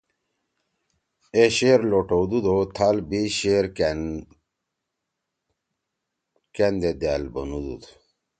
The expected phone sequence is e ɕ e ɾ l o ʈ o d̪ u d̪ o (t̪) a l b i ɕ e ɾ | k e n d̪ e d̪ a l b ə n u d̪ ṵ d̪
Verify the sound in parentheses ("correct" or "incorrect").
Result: incorrect